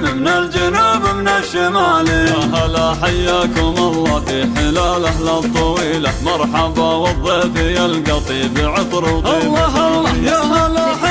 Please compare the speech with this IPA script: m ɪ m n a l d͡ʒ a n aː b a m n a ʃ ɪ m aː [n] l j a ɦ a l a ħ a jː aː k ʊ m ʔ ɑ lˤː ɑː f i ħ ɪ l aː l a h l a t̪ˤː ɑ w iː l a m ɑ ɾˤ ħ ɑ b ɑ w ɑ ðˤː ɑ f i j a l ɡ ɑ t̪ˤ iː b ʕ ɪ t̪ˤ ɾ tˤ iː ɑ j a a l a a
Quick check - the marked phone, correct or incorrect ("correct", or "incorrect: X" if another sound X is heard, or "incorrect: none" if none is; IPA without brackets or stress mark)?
incorrect: none